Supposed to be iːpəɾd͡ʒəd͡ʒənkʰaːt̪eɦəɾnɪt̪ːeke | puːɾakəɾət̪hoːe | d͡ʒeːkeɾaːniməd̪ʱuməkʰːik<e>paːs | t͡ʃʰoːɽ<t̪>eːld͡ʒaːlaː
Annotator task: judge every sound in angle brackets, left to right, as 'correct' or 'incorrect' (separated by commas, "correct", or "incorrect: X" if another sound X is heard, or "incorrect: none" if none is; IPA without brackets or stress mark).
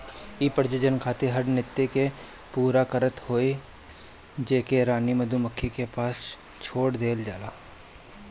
correct, incorrect: d̪